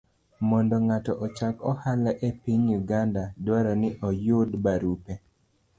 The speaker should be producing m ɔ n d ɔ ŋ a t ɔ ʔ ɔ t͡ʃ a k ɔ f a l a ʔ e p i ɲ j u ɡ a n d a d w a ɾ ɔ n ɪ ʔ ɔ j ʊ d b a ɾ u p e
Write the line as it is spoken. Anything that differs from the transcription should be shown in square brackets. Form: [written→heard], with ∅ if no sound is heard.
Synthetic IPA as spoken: m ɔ n d ɔ ŋ a t ɔ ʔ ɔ t͡ʃ a k ɔ [f→h] a l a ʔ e p i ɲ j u ɡ a n d a d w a ɾ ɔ n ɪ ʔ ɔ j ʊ d b a ɾ u p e